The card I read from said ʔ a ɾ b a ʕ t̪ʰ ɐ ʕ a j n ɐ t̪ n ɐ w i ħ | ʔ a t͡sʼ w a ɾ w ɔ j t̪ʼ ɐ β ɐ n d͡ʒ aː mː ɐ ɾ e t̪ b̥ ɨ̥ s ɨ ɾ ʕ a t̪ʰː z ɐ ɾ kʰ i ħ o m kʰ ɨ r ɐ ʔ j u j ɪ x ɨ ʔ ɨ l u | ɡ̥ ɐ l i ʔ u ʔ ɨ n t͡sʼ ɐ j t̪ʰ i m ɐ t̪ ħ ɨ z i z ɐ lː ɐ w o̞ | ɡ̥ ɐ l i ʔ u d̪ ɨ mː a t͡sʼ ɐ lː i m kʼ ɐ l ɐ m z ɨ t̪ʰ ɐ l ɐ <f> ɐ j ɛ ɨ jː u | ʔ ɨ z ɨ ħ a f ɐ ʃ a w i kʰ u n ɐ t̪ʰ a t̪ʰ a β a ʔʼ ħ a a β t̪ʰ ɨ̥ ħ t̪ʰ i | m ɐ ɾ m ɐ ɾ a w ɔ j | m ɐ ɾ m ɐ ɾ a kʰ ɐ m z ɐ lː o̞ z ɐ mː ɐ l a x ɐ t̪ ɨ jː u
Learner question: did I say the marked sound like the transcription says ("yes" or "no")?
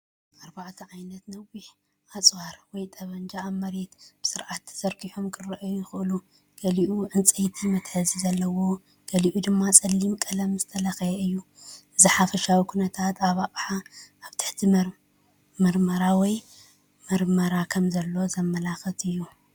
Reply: no